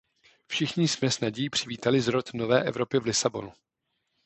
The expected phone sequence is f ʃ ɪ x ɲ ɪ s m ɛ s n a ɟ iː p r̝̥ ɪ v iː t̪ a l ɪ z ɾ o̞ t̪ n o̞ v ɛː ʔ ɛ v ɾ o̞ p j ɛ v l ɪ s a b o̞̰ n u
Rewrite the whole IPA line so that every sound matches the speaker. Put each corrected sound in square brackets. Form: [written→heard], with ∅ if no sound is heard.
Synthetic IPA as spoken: f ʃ ɪ x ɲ ɪ s m ɛ s n a ɟ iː p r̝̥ ɪ v iː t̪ a l ɪ z ɾ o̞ t̪ n o̞ v ɛː ʔ ɛ v ɾ o̞ p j ɛ v l ɪ s a b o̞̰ n u